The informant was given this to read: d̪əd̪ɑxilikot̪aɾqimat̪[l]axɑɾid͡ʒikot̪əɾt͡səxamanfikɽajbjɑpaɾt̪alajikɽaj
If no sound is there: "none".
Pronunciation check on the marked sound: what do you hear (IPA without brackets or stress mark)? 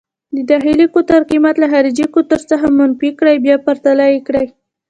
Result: l